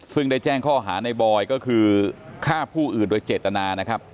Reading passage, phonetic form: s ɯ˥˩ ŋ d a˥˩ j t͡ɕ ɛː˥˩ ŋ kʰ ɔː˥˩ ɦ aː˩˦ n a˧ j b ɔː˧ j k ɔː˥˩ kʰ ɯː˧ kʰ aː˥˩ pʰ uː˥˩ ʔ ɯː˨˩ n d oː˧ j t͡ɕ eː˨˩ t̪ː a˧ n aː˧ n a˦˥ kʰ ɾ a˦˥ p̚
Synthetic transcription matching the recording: s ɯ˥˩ ŋ d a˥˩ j t͡ɕ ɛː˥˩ ŋ kʰ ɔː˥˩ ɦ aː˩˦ n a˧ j b ɔː˧ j k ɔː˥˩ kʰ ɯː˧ kʰ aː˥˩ pʰ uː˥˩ ʔ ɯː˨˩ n d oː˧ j t͡ɕ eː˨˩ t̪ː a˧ n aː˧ n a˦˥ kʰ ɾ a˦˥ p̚